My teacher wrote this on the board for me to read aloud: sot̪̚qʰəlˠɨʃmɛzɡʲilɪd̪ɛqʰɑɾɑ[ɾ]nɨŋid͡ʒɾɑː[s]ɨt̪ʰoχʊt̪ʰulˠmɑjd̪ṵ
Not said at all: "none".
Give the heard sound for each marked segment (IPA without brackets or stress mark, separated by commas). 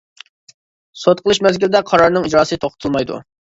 ɾ, s